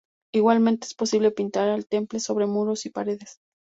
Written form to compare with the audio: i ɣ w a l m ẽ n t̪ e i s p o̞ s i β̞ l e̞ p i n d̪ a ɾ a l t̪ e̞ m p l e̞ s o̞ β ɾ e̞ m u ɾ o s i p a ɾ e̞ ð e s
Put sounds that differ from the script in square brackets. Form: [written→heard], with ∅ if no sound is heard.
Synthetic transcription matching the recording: i ɣ w a l m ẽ n t̪ e [i→e] s p o̞ s i β̞ l e̞ p i n [d̪→t̪] a ɾ a l t̪ e̞ m p l e̞ s o̞ β ɾ e̞ m u ɾ o s i p a ɾ e̞ ð e s